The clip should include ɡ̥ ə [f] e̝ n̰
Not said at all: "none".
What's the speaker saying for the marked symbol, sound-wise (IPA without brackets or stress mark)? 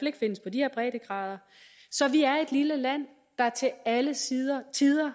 f